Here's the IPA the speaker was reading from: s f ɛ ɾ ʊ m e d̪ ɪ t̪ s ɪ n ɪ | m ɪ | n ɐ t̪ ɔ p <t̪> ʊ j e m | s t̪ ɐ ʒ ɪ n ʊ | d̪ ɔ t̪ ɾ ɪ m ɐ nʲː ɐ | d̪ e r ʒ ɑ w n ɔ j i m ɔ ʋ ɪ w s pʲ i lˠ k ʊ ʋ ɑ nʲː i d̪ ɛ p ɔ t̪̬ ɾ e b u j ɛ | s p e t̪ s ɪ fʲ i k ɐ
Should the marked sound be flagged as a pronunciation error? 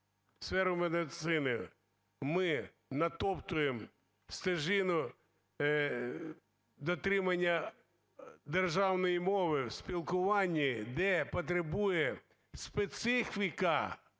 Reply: no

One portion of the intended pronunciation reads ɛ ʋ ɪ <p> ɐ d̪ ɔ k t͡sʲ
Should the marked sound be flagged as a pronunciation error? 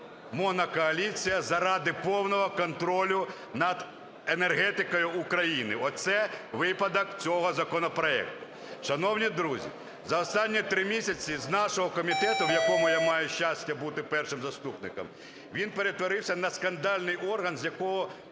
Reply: no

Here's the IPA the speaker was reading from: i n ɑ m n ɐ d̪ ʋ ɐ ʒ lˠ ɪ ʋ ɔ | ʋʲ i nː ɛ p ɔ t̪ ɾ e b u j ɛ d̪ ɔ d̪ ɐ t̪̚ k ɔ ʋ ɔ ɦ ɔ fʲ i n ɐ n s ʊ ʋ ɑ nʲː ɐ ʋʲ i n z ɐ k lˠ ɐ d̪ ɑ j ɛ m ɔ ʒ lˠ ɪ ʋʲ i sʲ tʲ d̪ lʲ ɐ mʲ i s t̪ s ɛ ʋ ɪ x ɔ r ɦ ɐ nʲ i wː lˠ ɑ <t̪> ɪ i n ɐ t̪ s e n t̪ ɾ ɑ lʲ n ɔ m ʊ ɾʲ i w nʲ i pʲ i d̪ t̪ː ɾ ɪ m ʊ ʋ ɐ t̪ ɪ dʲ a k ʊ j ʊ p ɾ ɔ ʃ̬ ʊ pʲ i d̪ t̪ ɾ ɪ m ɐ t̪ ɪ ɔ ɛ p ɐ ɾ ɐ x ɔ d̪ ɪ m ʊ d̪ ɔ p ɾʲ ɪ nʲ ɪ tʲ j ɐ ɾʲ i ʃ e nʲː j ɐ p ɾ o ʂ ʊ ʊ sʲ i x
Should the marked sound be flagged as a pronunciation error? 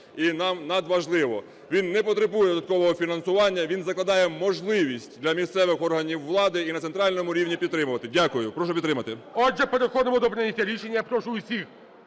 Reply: yes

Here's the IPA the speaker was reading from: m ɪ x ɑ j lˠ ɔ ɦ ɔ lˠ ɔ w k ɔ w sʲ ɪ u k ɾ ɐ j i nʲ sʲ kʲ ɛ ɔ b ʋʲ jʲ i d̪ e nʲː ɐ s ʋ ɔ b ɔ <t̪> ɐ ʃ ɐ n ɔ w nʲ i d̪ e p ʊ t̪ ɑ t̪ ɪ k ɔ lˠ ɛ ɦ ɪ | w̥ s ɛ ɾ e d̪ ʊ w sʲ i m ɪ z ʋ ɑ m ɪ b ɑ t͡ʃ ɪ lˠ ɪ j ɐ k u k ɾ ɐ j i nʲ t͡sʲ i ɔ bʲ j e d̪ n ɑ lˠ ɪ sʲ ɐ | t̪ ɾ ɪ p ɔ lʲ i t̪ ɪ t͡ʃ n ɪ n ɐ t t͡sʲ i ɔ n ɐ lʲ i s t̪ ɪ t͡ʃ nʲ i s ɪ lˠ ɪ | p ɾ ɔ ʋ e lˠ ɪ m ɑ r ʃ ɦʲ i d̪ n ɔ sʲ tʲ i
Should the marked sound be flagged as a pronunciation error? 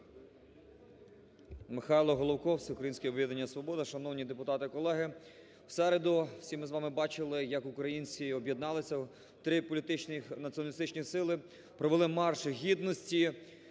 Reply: yes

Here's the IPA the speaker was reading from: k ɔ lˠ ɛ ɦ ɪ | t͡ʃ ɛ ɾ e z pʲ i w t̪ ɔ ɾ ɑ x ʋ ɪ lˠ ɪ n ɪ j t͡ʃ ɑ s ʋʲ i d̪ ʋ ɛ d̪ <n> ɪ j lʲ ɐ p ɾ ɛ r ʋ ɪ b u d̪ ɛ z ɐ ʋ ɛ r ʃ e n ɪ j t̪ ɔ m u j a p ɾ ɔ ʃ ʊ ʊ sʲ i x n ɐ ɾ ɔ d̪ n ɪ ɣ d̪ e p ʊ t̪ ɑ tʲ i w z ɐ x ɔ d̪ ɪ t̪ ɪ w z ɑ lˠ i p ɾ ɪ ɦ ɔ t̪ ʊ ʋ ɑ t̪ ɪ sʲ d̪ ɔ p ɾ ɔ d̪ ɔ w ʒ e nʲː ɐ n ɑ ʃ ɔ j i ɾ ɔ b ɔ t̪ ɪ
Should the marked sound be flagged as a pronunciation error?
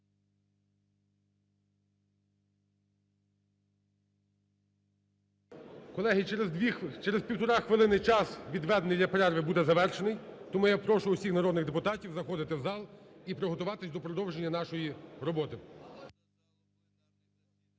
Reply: no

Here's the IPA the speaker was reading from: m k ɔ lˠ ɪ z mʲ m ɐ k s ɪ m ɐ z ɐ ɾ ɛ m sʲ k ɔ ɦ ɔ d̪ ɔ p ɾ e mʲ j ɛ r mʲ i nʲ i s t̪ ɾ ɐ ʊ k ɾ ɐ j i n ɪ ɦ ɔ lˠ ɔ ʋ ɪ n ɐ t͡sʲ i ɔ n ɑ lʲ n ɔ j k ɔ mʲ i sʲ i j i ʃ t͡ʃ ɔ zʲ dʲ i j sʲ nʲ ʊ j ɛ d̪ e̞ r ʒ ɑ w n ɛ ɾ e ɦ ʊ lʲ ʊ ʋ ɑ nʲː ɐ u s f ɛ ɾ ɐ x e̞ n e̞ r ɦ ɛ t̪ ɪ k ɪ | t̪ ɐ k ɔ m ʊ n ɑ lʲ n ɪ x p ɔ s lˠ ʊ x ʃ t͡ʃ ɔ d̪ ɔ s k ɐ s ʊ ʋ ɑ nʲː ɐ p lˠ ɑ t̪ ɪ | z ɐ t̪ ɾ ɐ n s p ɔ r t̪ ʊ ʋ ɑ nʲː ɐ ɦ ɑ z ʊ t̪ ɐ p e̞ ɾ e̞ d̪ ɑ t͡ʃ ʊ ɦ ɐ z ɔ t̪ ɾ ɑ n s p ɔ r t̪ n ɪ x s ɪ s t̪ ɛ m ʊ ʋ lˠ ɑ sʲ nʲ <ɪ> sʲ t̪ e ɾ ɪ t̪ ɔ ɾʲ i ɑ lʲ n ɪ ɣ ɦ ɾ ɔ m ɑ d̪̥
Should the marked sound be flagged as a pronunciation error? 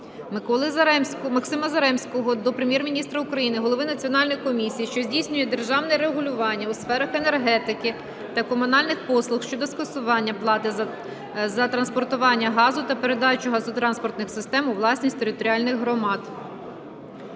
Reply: yes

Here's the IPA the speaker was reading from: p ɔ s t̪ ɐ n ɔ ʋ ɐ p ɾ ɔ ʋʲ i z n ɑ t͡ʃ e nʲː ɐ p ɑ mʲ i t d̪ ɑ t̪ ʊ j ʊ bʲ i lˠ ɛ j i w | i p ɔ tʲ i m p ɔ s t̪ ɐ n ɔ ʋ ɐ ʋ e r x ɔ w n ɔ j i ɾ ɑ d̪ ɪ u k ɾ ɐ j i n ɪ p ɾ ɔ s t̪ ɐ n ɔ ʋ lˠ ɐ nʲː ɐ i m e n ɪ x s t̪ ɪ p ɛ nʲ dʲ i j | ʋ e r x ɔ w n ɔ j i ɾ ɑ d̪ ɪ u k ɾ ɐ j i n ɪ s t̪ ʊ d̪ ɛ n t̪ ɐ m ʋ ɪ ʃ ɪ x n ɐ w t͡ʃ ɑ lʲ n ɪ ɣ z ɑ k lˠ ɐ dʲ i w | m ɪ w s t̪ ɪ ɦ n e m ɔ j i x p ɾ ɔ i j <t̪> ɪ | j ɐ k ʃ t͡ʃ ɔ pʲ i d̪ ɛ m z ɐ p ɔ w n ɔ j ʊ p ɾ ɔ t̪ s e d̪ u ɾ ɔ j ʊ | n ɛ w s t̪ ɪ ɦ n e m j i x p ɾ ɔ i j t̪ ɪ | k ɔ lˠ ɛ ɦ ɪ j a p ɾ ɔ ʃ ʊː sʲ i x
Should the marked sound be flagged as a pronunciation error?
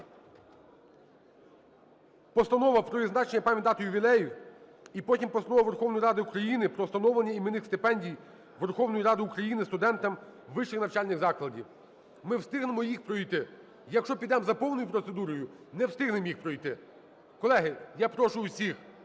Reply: no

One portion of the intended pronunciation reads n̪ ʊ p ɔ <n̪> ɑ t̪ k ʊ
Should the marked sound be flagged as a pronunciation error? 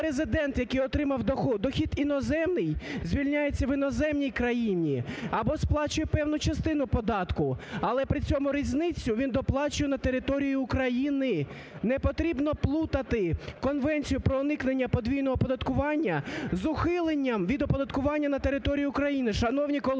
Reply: yes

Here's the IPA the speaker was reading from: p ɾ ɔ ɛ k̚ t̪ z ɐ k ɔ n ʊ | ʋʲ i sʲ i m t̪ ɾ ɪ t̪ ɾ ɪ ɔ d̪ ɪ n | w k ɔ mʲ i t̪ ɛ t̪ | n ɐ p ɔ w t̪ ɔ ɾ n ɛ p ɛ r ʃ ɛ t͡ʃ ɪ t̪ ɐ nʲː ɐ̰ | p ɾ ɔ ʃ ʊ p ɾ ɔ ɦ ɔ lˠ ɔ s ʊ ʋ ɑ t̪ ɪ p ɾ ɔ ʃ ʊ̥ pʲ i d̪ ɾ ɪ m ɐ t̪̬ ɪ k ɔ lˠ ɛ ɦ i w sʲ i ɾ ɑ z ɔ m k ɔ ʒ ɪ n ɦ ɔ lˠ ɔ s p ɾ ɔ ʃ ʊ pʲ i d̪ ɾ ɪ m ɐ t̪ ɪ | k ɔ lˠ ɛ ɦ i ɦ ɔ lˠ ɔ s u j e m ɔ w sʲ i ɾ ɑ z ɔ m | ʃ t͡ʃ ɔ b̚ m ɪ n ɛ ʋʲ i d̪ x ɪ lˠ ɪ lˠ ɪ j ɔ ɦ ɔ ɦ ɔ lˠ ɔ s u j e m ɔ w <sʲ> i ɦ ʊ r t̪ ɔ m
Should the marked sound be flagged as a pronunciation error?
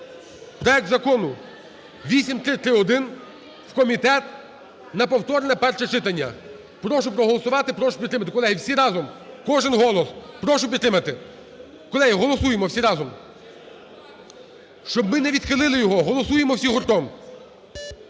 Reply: no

